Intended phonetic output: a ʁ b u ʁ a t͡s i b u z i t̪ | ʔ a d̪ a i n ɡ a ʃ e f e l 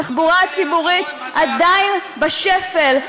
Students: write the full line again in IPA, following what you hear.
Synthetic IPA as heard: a χ b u ʁ a t͡s i b u ʁ i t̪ | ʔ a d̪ a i n b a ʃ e f e l